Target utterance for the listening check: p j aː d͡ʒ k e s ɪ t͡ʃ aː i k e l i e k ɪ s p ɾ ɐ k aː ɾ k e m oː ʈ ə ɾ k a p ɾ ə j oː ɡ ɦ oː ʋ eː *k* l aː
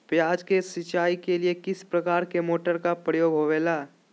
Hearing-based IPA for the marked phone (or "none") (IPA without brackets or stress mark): none